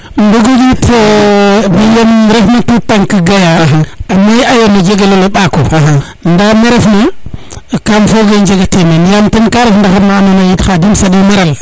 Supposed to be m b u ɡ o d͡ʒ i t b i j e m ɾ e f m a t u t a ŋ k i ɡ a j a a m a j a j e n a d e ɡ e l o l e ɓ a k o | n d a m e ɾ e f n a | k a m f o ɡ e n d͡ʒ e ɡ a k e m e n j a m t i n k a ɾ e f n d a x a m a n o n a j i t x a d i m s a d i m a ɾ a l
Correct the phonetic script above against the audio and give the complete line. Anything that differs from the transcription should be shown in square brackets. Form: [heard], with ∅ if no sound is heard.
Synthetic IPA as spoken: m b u ɡ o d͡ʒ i t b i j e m ɾ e f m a t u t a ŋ k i ɡ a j a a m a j a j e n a [d͡ʒ] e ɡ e l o l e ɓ a k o | n d a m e ɾ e f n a | k a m f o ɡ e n d͡ʒ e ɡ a [t] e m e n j a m t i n k a ɾ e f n d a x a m a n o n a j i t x a d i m s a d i m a ɾ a l